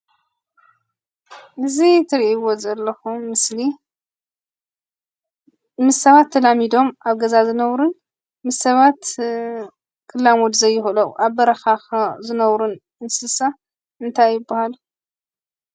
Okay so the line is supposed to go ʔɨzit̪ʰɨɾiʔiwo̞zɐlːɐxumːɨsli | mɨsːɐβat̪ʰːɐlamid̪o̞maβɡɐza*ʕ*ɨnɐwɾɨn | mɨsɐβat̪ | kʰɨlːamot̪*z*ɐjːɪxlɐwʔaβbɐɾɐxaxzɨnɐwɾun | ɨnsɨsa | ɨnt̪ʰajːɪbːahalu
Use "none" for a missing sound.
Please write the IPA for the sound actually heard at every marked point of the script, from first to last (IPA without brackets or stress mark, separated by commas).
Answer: z, z